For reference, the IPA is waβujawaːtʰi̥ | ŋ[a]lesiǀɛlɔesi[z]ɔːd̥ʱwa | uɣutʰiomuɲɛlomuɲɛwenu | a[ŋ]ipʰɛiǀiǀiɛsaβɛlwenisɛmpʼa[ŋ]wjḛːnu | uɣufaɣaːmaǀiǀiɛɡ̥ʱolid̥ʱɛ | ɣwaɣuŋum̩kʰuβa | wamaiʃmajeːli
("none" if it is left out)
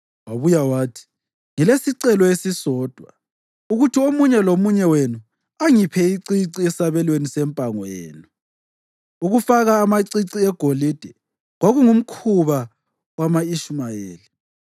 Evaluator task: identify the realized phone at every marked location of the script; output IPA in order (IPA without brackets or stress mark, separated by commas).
i, s, ŋ, ŋ